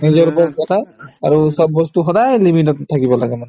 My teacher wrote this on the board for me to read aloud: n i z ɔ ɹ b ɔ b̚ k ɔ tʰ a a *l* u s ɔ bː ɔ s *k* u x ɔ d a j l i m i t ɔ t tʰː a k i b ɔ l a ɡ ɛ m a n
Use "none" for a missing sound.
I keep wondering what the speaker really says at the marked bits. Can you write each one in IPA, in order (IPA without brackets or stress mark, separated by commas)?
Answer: ɹ, t